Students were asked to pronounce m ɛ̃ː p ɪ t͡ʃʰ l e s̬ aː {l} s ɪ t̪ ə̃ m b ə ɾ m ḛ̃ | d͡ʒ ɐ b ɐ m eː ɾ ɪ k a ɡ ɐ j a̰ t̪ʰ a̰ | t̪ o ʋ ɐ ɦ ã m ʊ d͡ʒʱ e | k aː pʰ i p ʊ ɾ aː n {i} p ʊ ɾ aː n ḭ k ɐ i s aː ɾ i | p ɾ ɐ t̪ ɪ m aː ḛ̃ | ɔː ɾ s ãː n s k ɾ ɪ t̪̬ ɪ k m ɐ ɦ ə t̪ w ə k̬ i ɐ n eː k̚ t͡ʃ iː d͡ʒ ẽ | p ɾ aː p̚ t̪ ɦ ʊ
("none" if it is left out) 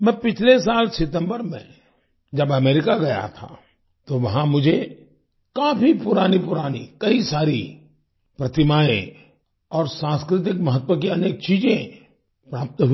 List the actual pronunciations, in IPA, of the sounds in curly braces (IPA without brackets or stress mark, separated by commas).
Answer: l, i